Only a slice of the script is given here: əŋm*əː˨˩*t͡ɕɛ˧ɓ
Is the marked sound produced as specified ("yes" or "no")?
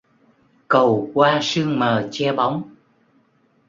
yes